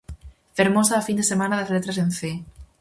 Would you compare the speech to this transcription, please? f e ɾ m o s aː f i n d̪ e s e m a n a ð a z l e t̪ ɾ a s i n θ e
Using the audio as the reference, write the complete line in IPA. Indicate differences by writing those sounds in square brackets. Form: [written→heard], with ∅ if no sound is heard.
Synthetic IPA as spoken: f e ɾ m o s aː f i n d̪ e s e m a n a ð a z l e t̪ ɾ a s [i→e] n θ e